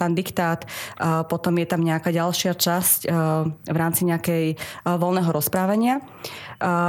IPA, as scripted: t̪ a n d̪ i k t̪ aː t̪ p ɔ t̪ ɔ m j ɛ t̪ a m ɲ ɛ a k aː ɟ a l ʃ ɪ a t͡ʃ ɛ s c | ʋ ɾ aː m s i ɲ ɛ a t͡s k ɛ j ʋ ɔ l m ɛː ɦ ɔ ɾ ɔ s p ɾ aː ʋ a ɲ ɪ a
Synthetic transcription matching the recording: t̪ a n d̪ i k t̪ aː t̪ p ɔ t̪ ɔ m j ɛ t̪ a m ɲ ɛ a k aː ɟ a l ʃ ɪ a t͡ʃ a s c | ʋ ɾ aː m t͡s i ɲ ɛ a k ɛ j ʋ ɔ l n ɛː ɦ ɔ ɾ ɔ s p ɾ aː ʋ a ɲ ɪ a